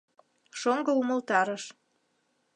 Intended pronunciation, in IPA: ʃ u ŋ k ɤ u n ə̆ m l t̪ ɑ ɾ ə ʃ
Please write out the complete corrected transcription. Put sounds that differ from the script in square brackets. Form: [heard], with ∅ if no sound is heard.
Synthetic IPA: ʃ [o] ŋ [ɡ] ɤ u [m] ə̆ [∅] l t̪ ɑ ɾ ə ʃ